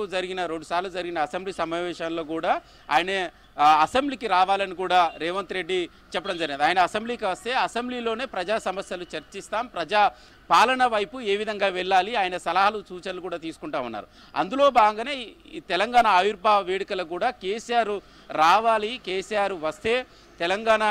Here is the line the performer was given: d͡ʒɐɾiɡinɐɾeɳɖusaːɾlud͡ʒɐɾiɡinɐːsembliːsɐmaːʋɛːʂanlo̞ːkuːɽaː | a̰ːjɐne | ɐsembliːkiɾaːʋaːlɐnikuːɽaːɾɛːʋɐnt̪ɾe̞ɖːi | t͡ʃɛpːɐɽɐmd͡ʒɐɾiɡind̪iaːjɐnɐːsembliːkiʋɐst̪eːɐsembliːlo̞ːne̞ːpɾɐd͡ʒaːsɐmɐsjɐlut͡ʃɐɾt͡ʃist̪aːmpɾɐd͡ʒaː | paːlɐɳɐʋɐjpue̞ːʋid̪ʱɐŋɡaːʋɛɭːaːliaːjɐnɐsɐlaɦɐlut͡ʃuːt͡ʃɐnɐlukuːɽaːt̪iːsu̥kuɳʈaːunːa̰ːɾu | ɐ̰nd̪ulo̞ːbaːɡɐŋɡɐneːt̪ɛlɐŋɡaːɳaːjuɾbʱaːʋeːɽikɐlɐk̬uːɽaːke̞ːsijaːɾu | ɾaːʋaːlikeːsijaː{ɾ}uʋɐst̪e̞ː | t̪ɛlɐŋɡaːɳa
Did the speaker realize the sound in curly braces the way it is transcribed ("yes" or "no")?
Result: yes